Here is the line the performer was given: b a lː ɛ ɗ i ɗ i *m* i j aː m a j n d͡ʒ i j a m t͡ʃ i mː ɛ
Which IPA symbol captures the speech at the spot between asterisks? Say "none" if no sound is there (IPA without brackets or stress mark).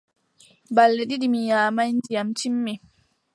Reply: m